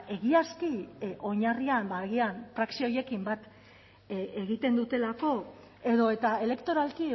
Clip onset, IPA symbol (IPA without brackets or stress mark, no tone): e̞